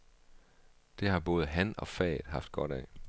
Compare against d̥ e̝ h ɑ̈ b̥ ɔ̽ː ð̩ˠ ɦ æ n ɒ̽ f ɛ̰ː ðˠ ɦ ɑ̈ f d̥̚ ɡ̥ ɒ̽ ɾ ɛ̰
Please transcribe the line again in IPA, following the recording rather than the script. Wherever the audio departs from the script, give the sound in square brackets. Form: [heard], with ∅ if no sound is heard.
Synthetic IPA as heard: d̥ e̝ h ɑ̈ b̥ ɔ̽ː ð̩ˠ ɦ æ n ɒ̽ f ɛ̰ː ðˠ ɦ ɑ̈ f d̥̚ ɡ̥ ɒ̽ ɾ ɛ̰

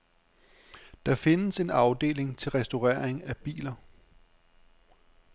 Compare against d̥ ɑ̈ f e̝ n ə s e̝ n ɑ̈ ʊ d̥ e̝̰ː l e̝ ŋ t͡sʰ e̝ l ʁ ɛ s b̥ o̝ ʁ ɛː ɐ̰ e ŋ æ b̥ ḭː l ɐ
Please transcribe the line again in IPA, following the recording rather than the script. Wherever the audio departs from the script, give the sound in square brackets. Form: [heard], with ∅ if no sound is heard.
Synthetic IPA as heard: d̥ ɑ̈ f e̝ n ə s e̝ n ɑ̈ ʊ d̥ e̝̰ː l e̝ ŋ t͡sʰ e̝ l ʁ ɛ s [d̥] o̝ ʁ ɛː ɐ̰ e ŋ æ b̥ ḭː l ɐ

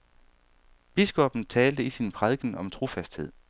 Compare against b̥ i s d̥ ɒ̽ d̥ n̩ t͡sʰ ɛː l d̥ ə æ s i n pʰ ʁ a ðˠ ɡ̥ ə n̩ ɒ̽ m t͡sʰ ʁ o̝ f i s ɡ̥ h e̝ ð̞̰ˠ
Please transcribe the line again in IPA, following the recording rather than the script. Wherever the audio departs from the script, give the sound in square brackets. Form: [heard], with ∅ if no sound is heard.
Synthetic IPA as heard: b̥ i s [ɡ̥] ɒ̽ [b̥] n̩ t͡sʰ ɛː l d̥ ə [i] s i n pʰ ʁ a ðˠ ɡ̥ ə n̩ ɒ̽ m t͡sʰ ʁ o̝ f [æ] s [d̥] h e̝ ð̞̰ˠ

